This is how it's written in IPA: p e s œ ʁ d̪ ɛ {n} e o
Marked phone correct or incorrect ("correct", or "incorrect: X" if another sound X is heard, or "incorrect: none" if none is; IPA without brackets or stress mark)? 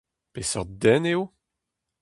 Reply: correct